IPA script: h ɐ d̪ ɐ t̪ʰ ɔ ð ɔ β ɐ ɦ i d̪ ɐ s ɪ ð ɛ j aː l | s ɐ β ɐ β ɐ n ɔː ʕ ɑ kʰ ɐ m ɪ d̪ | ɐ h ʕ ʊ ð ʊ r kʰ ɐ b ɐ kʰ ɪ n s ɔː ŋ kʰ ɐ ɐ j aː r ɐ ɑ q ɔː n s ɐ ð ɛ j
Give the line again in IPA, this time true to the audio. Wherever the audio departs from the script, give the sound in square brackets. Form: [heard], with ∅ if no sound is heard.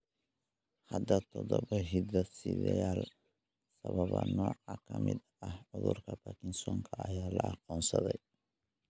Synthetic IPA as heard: h ɐ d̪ ɐ t̪ʰ ɔ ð ɔ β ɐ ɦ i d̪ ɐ s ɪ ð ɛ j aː l | s ɐ β ɐ β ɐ n ɔː ʕ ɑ kʰ ɐ m ɪ d̪ | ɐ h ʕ ʊ ð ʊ r kʰ ɐ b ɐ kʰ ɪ n s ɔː ŋ kʰ ɐ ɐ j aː [l] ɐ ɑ q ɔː n s ɐ ð ɛ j